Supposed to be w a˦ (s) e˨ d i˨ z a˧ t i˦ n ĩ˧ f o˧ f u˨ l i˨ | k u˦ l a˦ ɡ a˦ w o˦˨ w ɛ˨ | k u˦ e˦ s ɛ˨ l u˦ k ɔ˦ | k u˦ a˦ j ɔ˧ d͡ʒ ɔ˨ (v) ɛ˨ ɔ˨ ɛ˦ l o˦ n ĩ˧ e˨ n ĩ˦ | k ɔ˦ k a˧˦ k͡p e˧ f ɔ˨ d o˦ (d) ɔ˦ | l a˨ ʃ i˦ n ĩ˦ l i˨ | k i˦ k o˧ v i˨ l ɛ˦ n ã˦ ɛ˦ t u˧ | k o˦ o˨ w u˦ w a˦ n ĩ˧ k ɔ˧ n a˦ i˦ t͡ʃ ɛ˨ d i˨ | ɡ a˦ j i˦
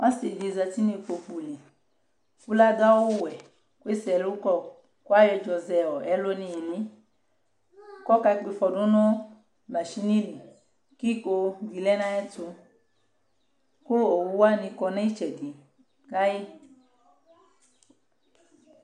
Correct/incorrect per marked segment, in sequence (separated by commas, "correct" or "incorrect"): correct, incorrect, incorrect